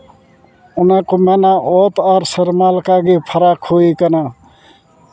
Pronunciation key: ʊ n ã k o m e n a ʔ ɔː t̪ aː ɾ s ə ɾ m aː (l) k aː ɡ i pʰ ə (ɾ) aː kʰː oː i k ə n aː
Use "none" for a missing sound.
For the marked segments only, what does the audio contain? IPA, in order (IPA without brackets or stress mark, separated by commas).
l, ɾ